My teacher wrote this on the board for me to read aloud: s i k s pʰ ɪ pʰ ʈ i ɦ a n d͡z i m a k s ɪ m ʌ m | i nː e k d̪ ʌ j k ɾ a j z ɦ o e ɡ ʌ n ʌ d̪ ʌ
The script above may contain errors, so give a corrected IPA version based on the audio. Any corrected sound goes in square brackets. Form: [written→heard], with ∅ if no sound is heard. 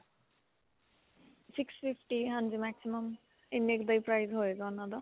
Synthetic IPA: s i k s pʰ [ɪ→i] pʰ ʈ i ɦ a n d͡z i m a k s [ɪ→i] m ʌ m | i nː e k d̪ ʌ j [k→p] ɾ a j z ɦ o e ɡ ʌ n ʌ d̪ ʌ

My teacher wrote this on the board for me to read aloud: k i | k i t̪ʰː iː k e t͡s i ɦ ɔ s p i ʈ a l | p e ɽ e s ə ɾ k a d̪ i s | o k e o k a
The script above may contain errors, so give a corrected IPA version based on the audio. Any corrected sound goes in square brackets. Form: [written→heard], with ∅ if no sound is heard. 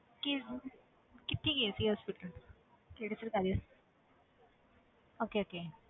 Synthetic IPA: k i | k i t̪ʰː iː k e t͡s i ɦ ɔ s p i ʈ [a→ə] l | [p→k] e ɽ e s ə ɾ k a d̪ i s | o k e o k [a→e]

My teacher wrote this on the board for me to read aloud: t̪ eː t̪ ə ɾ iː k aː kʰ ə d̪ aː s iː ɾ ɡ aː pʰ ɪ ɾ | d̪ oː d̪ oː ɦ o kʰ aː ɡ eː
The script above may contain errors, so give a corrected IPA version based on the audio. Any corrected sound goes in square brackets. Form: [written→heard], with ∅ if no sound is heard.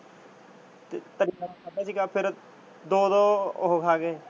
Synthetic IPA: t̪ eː t̪ ə ɾ iː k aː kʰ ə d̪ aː s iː [ɾ→∅] ɡ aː pʰ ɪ ɾ | d̪ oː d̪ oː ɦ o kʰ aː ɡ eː

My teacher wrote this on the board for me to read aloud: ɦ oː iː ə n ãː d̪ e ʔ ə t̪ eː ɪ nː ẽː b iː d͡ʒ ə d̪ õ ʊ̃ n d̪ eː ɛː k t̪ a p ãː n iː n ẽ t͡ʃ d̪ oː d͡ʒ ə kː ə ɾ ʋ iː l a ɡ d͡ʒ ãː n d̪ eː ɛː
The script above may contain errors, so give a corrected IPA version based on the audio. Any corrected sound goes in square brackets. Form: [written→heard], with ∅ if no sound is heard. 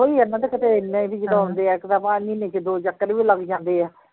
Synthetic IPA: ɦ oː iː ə n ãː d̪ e [ʔ→k] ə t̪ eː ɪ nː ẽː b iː d͡ʒ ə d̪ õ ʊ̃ n d̪ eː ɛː k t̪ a p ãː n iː n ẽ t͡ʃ d̪ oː d͡ʒ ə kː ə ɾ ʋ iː l [a→ə] ɡ d͡ʒ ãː n d̪ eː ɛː

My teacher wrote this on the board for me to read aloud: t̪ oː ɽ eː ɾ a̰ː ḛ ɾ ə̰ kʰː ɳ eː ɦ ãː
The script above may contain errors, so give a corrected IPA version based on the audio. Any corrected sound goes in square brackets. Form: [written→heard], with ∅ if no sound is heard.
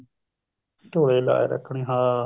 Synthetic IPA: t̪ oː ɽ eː [ɾ→l] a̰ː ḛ ɾ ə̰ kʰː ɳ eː ɦ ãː

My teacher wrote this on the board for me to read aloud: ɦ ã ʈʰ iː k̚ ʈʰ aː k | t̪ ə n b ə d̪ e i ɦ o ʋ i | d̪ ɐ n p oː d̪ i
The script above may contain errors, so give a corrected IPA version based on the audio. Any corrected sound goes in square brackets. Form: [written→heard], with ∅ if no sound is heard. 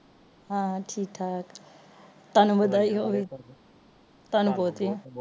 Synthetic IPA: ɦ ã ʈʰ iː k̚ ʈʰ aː k | t̪ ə n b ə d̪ [e→a] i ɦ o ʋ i | [d̪→t̪] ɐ n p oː [d̪→t̪] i

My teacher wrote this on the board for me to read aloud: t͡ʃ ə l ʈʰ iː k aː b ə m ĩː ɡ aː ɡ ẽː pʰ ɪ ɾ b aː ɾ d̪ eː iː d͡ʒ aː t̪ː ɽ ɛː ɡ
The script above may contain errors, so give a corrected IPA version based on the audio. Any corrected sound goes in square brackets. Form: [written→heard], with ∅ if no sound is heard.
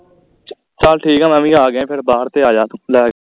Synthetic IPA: t͡ʃ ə l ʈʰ iː k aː [b→m] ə m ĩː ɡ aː ɡ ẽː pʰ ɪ ɾ b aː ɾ [d̪→t̪] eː [iː→aː] d͡ʒ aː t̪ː [ɽ→l] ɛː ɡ

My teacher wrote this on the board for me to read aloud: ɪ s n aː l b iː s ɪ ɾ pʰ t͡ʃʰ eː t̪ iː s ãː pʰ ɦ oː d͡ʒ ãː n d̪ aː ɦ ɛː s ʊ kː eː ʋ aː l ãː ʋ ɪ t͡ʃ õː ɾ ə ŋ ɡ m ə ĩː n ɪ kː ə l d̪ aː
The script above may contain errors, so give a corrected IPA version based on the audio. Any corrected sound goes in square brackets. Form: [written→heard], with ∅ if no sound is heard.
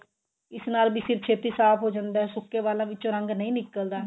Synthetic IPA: ɪ s n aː l b iː s ɪ ɾ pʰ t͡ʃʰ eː t̪ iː s [ãː→aː] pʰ ɦ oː d͡ʒ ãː n d̪ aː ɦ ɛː s ʊ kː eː ʋ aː l ãː ʋ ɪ t͡ʃ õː ɾ ə ŋ ɡ [m→n] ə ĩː n ɪ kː ə l d̪ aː

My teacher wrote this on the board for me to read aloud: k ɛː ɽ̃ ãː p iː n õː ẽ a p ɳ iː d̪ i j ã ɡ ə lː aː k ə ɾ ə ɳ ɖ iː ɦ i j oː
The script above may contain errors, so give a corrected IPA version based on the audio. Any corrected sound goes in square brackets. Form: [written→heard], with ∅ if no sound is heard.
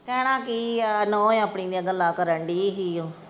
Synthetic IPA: k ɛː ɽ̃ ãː [p→k] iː n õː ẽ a p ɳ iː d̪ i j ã ɡ ə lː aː k ə ɾ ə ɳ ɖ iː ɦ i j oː

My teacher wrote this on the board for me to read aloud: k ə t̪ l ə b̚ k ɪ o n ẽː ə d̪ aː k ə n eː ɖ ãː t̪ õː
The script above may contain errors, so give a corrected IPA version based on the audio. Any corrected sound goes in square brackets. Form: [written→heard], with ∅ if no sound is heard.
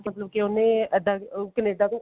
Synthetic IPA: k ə t̪ l ə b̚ k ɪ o n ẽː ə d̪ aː k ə n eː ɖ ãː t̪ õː

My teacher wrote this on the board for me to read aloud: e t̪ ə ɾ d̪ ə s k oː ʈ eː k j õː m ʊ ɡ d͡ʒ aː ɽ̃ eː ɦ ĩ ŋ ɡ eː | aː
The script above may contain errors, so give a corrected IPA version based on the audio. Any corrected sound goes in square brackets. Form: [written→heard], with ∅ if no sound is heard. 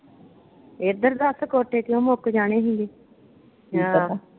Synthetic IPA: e [t̪→d̪] ə ɾ d̪ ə s k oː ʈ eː k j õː m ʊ [ɡ→k] d͡ʒ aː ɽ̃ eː ɦ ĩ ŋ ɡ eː | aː

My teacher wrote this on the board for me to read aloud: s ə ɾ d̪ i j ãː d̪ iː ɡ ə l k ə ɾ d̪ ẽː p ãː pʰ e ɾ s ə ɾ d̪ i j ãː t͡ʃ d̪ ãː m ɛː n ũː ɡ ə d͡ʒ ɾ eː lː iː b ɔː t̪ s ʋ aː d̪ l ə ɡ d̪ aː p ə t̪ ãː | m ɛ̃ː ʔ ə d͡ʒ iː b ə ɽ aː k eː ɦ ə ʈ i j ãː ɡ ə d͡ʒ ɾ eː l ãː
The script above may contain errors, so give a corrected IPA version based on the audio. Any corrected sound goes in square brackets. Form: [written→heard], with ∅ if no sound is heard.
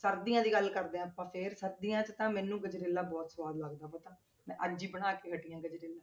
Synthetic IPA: s ə ɾ d̪ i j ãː d̪ iː ɡ ə l k ə ɾ d̪ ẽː p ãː pʰ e ɾ s ə ɾ d̪ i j ãː t͡ʃ [d̪→t̪] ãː m ɛː n ũː ɡ ə d͡ʒ ɾ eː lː [iː→aː] b ɔː t̪ s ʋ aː d̪ l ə ɡ d̪ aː p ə t̪ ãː | m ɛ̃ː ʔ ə d͡ʒ iː b ə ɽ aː k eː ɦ ə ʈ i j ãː ɡ ə d͡ʒ ɾ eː l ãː

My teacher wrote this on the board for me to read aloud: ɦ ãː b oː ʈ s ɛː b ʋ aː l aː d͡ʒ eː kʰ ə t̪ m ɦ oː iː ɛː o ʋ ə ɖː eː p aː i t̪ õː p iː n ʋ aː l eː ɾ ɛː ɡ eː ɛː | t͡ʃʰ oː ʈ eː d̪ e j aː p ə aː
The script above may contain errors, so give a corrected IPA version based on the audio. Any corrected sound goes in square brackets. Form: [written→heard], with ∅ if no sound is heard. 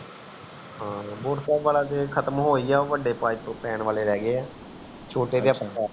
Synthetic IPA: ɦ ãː b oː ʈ s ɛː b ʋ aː l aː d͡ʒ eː kʰ ə t̪ m ɦ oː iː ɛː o ʋ ə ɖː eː p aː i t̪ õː p [iː→ɛː] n ʋ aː l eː ɾ ɛː ɡ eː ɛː | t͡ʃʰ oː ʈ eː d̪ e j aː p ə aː

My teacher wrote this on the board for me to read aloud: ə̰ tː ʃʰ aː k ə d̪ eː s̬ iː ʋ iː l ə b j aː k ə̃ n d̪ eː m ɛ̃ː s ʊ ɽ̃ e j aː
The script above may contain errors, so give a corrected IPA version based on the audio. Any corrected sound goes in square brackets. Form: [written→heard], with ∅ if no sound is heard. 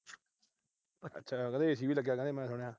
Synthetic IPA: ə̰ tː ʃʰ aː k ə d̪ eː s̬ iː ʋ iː l ə [b→ɡ] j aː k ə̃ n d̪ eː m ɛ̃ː s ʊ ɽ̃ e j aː

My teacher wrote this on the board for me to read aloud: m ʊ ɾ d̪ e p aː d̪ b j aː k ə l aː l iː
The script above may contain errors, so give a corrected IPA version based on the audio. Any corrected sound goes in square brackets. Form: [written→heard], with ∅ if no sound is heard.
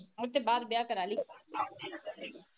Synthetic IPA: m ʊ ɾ [d̪→t̪] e [p→b] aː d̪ b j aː k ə [l→ɾ] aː l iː

